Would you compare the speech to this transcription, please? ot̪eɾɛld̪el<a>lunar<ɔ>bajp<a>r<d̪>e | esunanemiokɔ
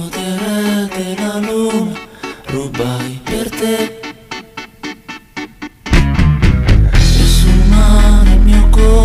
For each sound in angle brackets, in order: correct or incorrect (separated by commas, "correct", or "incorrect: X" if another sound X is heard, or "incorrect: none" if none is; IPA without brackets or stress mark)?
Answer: correct, incorrect: u, incorrect: e, incorrect: t̪